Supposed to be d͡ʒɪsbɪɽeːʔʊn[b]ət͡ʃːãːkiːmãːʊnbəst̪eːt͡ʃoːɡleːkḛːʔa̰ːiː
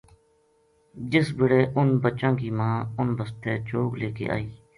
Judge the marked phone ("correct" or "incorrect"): correct